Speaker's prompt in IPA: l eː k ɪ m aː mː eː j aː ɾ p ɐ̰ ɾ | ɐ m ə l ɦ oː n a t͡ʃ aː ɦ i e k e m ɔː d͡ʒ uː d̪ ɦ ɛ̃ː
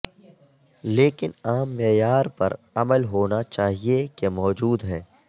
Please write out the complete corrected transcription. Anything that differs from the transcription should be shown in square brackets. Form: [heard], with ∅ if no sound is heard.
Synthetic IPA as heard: l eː k ɪ [n] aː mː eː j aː ɾ p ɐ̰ ɾ | ɐ m ə l ɦ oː n a t͡ʃ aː ɦ i e k e m ɔː d͡ʒ uː d̪ ɦ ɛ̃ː